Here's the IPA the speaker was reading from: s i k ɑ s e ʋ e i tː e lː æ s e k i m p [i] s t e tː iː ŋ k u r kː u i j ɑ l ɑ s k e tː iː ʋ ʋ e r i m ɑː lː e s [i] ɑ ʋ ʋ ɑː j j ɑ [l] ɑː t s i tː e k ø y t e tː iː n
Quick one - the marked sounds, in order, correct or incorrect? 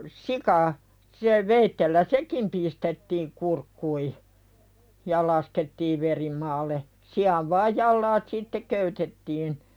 correct, correct, incorrect: lː

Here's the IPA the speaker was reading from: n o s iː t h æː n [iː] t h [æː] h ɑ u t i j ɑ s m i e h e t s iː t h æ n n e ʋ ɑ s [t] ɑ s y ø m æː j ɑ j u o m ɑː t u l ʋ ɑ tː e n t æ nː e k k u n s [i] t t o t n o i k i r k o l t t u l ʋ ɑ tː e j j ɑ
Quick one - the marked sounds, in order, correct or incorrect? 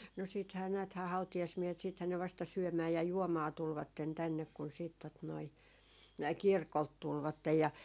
incorrect: æː, correct, correct, incorrect: iː

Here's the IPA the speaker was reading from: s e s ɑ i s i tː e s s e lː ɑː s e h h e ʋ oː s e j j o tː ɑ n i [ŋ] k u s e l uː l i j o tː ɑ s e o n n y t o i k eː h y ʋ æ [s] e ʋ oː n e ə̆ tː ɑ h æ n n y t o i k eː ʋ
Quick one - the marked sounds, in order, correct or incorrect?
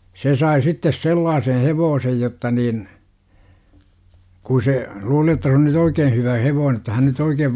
incorrect: n, incorrect: h

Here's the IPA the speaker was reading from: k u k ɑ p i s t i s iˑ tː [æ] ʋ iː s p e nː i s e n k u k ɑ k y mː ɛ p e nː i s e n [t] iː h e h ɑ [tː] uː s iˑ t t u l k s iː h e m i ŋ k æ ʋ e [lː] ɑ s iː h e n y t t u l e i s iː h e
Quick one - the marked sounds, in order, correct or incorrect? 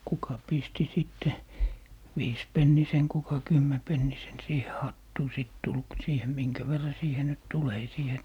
incorrect: e, incorrect: s, correct, incorrect: rː

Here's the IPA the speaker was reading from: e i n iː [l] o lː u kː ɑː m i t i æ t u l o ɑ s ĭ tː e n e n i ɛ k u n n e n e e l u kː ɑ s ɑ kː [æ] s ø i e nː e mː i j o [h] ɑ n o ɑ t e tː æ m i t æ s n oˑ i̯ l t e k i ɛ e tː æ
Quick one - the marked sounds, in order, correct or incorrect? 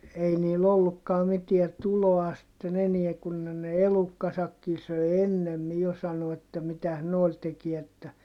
correct, incorrect: i, incorrect: s

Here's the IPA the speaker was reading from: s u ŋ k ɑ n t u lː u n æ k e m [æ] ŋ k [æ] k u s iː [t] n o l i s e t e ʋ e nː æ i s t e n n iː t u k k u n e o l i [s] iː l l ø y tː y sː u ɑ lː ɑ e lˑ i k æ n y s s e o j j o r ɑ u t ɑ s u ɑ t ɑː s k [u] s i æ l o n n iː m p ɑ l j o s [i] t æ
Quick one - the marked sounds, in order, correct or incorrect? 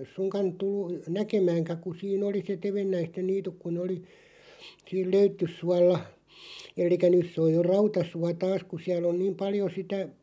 incorrect: æː, correct, incorrect: none, correct, correct, correct

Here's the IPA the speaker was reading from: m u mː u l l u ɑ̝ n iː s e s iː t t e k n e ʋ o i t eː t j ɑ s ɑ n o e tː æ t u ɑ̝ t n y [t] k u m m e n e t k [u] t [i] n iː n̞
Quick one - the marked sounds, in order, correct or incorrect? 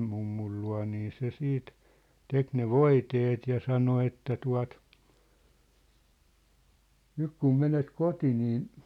incorrect: k, incorrect: o, correct

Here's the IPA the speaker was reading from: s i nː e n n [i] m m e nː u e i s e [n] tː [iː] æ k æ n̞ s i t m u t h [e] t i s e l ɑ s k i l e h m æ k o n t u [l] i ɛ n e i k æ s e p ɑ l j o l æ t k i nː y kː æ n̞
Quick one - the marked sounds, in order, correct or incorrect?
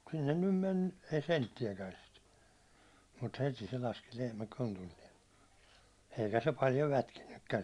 incorrect: y, correct, incorrect: i, correct, incorrect: lː

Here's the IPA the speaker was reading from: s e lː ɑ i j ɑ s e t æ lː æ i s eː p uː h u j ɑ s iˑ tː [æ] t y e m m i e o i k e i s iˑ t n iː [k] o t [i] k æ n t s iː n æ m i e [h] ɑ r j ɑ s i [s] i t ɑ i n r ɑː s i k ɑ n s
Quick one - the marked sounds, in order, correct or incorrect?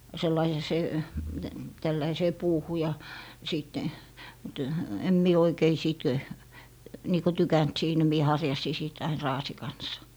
incorrect: e, correct, incorrect: y, correct, correct

